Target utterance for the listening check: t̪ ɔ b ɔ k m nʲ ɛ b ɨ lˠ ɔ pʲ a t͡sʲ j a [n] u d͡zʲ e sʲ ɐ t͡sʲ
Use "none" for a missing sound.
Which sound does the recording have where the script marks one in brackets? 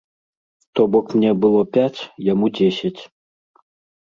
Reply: m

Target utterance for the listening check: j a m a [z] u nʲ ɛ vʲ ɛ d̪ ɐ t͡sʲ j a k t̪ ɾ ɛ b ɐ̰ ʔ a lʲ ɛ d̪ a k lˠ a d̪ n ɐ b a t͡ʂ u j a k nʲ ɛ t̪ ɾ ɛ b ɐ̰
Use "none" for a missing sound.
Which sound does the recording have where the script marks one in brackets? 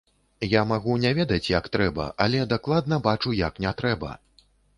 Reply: ɣ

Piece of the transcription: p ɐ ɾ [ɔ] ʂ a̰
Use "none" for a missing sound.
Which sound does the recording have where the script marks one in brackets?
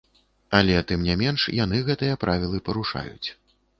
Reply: u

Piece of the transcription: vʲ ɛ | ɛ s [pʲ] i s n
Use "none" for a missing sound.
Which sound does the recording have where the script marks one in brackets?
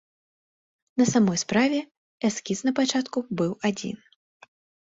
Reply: kʲ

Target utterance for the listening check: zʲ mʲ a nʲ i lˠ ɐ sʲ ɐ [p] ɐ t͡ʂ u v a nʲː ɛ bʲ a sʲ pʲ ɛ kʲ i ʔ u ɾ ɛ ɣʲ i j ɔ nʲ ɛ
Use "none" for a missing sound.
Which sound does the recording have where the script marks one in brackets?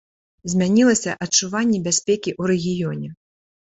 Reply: ʔ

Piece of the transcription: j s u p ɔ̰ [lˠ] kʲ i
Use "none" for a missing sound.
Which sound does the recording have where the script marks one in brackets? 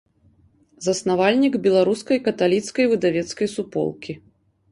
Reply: lˠ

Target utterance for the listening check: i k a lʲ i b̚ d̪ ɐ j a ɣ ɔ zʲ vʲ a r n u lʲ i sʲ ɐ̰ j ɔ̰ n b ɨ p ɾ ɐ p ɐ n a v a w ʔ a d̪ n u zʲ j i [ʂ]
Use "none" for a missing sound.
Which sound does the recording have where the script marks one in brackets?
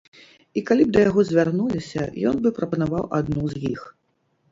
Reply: x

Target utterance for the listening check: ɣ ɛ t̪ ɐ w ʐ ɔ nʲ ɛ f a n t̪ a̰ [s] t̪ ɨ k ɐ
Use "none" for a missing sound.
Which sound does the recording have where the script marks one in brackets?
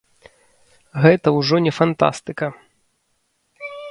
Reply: s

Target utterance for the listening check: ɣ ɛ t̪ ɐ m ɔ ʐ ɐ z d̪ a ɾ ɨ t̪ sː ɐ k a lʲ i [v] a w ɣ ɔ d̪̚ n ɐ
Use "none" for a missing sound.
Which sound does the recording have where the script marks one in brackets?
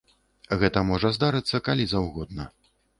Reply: z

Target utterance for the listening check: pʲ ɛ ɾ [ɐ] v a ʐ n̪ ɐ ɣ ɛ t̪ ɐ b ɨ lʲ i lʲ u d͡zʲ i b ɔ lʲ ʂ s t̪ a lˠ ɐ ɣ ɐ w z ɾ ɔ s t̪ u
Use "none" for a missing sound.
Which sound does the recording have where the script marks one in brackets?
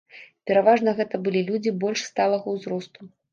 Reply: a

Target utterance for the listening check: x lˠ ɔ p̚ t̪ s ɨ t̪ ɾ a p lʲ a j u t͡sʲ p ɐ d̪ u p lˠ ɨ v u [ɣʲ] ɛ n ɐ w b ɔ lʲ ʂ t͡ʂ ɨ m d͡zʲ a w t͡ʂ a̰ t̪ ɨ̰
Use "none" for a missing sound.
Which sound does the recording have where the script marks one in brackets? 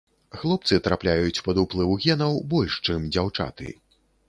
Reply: ɣʲ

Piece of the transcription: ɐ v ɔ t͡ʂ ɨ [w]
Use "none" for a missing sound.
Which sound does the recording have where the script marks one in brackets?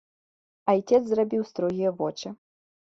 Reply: none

